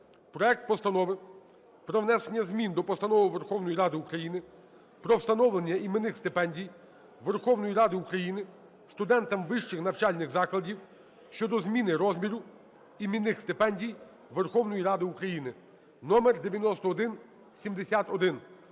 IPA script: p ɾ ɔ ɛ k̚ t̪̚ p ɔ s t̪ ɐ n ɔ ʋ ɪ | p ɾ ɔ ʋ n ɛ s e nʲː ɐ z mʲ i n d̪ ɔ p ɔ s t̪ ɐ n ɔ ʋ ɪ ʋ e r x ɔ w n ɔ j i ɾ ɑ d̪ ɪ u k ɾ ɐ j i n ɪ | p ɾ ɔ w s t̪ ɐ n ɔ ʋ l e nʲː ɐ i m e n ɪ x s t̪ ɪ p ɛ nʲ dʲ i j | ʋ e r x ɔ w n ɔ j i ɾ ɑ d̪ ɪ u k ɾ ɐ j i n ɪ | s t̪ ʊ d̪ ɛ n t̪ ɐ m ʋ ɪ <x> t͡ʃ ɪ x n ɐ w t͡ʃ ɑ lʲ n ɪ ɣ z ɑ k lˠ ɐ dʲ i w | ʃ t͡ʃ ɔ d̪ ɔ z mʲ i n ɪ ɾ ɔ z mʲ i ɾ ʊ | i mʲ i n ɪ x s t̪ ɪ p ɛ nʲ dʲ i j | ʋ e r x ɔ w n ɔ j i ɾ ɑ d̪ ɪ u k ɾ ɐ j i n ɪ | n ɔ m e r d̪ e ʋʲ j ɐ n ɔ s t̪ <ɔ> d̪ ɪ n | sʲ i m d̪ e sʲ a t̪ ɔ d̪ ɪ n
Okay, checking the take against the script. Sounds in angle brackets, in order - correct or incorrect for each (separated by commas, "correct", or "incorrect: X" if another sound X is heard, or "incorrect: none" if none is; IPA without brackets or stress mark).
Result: incorrect: ʃ, incorrect: ɔː